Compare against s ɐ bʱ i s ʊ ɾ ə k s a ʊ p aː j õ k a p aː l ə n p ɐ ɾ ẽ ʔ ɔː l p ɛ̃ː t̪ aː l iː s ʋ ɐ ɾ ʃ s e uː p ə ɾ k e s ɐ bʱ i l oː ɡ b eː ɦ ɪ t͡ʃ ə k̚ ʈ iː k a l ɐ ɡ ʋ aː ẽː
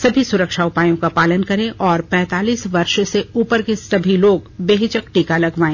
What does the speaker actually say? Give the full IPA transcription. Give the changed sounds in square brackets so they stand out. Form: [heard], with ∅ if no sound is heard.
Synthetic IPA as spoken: s ɐ bʱ i s ʊ ɾ ə k [ʃ] a ʊ p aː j õ k a p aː l ə n [k] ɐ ɾ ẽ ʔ ɔː [ɾ] p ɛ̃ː t̪ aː l iː s ʋ ɐ ɾ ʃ s e uː p ə ɾ k e s ɐ bʱ i l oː ɡ b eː ɦ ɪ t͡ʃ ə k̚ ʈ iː k a l ɐ ɡ ʋ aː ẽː